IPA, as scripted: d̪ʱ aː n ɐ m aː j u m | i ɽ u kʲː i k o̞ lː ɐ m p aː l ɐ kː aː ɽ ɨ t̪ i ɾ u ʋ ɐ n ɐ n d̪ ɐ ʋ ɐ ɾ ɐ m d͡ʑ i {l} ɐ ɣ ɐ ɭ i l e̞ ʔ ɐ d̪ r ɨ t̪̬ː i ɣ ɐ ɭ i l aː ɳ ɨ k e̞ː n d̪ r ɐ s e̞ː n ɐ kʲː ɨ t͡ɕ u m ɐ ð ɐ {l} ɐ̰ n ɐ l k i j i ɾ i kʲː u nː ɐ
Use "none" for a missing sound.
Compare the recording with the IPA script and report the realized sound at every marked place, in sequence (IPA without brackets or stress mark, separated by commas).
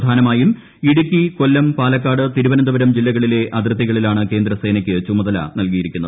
lː, l